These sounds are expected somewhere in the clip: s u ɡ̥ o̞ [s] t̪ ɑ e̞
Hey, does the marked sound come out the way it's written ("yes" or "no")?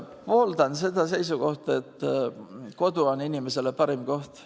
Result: no